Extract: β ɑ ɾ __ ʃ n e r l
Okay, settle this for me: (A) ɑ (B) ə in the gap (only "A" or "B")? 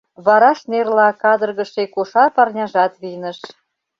A